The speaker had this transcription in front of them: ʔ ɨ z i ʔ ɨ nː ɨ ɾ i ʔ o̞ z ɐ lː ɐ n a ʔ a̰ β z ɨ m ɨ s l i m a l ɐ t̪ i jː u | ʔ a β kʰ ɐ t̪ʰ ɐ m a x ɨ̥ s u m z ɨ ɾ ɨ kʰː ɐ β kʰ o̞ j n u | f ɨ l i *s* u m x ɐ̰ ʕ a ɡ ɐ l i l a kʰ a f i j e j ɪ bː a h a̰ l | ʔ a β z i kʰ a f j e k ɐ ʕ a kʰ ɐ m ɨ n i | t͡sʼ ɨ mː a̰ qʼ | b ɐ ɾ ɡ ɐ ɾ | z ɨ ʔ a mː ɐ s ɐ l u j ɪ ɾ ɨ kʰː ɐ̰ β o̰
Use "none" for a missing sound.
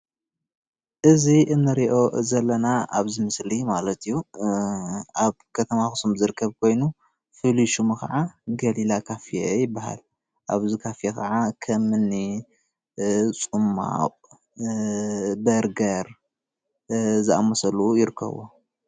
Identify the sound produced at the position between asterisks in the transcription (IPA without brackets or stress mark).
ʃ